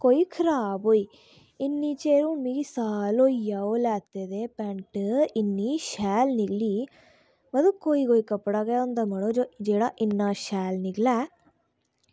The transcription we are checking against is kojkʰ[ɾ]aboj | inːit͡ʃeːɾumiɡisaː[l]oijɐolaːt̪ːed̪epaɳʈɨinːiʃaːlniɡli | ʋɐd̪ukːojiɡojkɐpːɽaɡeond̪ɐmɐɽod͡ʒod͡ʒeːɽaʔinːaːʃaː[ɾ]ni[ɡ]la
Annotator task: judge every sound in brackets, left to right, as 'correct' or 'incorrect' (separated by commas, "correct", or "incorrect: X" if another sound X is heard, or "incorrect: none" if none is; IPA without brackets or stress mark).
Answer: correct, correct, incorrect: l, correct